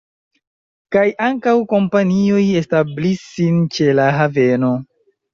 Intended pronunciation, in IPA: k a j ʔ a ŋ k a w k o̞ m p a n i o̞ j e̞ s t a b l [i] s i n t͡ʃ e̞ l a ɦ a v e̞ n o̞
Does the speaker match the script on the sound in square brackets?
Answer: yes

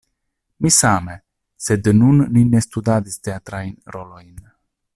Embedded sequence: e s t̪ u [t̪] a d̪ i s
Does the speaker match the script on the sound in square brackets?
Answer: no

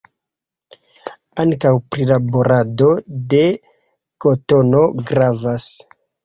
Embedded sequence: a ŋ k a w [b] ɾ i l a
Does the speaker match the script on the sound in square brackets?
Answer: no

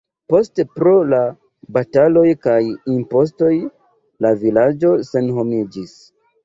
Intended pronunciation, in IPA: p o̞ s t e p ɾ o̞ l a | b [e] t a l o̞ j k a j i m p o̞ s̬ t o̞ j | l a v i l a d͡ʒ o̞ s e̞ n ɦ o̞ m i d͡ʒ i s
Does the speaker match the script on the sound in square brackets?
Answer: no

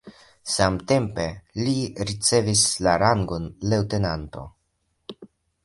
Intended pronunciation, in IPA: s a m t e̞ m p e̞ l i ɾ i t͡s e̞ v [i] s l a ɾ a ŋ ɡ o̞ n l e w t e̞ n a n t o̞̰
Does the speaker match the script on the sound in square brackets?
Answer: yes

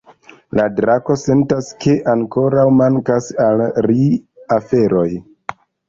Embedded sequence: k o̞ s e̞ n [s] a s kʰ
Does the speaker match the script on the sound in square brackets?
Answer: no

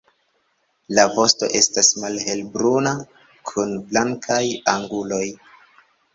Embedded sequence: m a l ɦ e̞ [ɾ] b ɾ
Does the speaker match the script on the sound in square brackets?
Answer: no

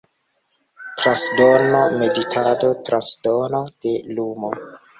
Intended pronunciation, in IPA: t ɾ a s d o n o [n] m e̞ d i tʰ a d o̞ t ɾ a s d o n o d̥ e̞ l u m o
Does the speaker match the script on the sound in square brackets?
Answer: no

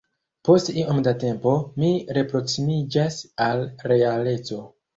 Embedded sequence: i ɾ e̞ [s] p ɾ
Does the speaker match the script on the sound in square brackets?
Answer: no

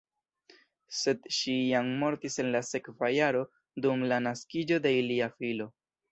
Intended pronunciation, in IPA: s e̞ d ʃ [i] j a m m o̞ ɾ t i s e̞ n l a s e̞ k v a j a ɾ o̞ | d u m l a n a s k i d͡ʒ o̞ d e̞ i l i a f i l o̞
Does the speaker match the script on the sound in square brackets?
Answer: yes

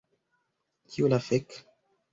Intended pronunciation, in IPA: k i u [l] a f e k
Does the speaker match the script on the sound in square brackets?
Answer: yes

